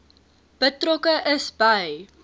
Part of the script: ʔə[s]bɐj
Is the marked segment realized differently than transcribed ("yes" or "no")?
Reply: no